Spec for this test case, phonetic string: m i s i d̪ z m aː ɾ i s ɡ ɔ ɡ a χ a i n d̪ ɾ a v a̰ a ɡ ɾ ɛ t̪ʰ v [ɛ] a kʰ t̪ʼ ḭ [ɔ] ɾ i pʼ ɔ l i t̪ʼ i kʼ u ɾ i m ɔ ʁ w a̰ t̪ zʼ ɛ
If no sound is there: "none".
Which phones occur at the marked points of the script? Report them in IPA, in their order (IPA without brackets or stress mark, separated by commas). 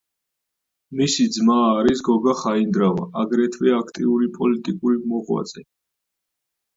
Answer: ɛ, u